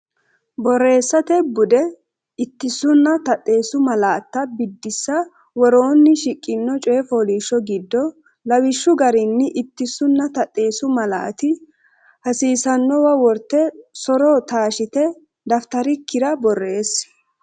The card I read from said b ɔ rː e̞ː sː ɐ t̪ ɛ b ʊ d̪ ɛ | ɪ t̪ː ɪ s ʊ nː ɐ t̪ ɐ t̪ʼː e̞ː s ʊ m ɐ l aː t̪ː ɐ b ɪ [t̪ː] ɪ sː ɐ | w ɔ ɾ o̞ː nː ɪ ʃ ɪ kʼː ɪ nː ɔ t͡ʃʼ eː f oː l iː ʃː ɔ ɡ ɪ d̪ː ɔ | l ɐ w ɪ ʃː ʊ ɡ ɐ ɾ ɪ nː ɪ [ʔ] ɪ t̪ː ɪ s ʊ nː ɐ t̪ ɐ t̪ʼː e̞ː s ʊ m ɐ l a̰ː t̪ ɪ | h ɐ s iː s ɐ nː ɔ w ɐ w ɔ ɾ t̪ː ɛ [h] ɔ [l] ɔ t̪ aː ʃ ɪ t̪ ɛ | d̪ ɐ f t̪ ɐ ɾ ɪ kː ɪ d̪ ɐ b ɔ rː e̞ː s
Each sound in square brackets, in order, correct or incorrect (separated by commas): incorrect, correct, incorrect, incorrect